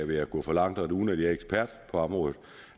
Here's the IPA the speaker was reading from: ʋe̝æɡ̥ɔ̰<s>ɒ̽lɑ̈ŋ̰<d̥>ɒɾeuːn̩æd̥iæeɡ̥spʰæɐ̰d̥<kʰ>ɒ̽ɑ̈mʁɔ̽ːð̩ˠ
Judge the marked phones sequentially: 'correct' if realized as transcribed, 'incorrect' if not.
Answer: incorrect: f, correct, incorrect: pʰ

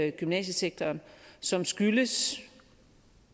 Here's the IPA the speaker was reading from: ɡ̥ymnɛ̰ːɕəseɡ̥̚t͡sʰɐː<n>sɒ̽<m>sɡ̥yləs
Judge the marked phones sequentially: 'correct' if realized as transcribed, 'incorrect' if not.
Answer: correct, correct

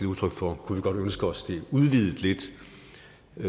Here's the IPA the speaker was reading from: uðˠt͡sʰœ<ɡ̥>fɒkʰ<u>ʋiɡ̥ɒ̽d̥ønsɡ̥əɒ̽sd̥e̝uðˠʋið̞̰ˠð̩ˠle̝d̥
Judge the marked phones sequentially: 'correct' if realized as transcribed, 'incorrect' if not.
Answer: correct, correct

